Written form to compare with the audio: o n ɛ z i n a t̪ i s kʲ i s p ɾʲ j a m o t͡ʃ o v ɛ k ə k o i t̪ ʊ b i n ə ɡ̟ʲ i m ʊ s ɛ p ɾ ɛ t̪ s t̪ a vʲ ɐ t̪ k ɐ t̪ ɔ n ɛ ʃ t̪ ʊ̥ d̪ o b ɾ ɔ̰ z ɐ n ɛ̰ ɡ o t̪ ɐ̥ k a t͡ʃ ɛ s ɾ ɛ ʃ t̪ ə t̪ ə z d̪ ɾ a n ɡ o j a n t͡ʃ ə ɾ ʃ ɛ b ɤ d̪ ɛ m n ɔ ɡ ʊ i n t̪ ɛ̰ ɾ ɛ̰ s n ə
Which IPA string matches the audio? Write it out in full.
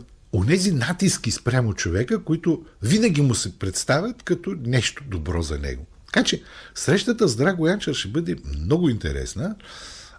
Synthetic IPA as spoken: o n ɛ z i n a t̪ i s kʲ i s p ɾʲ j a m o t͡ʃ o v ɛ k ə k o i t̪ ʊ v i n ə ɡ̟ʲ i m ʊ s ɛ p ɾ ɛ t̪ s t̪ a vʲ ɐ t̪ k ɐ t̪ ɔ n ɛ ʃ t̪ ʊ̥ d̪ o b ɾ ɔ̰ z ɐ n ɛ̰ ɡ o t̪ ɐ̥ k a t͡ʃ ɛ s ɾ ɛ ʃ t̪ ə t̪ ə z d̪ ɾ a ɡ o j a n t͡ʃ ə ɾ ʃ ɛ b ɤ d̪ ɛ m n ɔ ɡ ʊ i n t̪ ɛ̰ ɾ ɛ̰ s n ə